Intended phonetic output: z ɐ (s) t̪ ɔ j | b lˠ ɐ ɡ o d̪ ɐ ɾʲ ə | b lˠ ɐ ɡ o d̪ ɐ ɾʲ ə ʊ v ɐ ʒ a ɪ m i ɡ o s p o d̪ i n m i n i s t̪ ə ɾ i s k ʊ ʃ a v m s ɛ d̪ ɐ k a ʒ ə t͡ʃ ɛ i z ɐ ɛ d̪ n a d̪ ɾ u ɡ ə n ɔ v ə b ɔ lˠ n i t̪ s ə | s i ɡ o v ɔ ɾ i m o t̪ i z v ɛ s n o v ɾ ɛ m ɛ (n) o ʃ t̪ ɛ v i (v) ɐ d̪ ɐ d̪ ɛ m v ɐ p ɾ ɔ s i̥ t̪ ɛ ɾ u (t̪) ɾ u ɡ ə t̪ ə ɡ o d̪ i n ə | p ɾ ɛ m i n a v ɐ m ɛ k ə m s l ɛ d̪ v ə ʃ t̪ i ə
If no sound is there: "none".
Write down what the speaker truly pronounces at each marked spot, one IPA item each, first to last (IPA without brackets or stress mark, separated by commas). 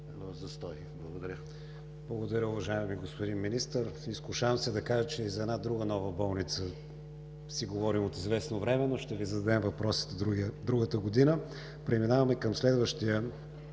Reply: s, n, z, d̪